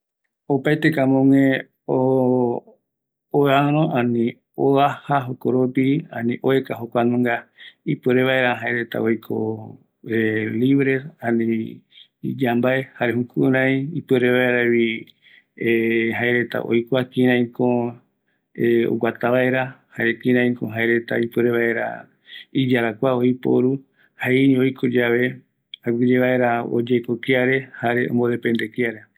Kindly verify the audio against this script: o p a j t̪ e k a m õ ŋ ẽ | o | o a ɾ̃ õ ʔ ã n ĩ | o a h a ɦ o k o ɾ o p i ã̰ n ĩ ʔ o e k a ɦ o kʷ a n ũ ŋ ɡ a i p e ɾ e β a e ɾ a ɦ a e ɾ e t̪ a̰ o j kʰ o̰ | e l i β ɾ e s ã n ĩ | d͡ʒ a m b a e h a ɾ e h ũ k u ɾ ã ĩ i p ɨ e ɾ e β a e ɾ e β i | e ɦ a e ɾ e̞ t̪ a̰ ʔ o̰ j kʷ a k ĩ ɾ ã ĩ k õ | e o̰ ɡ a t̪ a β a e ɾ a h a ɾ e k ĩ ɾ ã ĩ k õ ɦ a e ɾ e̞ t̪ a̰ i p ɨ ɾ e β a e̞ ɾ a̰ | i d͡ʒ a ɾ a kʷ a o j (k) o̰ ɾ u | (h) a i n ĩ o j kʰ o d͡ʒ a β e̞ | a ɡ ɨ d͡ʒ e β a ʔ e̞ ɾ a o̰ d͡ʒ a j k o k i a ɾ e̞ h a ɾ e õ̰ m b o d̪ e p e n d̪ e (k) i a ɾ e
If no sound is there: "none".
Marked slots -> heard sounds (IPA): p, h, k

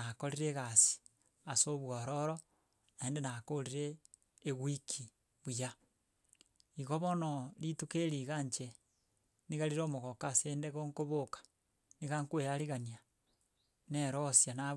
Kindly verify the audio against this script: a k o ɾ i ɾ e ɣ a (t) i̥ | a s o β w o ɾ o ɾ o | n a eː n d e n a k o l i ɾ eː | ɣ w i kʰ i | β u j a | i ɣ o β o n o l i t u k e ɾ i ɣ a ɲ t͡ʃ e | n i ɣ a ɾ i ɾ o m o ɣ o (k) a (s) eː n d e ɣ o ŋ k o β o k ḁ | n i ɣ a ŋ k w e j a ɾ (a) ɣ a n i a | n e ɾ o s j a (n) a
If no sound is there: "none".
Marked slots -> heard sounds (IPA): s, k, s, i, n

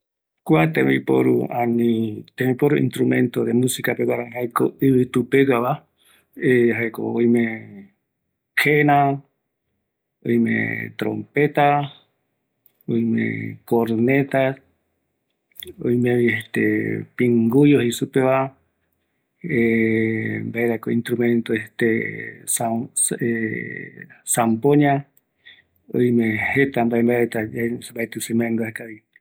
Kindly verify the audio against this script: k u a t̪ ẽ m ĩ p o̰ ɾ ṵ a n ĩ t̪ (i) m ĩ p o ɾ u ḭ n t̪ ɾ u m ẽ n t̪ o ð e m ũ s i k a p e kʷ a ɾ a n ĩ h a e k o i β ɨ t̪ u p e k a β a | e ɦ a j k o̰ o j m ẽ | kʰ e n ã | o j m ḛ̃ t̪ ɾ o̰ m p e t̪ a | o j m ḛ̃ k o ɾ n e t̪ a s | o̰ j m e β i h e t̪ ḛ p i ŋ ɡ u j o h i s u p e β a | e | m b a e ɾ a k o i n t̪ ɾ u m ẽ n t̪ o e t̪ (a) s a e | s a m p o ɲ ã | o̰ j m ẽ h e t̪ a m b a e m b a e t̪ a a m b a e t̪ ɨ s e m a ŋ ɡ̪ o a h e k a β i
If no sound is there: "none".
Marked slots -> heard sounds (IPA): e, e

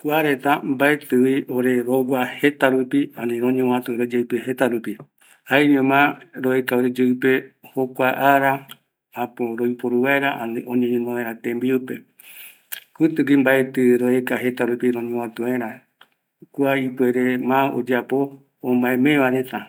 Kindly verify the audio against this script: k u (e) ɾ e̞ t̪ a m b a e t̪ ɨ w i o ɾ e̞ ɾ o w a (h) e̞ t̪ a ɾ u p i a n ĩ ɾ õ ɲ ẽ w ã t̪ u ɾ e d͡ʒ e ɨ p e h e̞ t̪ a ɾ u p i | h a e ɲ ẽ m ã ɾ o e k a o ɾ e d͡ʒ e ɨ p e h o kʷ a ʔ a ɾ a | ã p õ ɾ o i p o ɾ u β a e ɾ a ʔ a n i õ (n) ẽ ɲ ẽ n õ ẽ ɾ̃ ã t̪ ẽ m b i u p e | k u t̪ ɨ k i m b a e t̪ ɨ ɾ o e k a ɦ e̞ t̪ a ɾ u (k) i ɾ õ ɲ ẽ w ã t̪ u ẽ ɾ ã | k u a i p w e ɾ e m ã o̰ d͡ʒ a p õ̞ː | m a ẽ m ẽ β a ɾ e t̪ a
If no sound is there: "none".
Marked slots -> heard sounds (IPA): a, h, ɲ, p

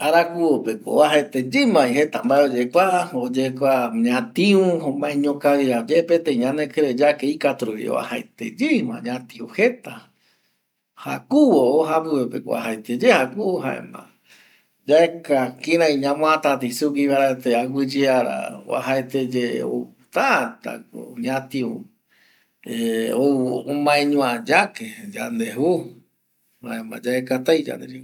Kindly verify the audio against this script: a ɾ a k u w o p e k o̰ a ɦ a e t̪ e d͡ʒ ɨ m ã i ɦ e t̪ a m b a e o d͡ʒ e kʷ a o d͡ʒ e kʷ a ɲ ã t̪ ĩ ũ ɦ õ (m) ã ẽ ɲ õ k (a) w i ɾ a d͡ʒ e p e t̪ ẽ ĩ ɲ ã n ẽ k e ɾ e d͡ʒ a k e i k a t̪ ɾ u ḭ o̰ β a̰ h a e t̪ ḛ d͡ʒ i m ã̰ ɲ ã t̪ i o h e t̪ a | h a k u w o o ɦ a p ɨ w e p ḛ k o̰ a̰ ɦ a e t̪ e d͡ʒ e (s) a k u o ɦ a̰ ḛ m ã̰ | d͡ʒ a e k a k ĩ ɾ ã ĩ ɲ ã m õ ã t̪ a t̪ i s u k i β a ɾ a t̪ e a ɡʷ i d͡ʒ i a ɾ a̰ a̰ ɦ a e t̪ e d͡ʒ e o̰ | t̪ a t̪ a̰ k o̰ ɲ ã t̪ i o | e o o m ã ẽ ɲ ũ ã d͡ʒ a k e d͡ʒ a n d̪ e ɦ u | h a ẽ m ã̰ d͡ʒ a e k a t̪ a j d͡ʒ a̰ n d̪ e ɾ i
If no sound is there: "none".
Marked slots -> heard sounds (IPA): m, a, h

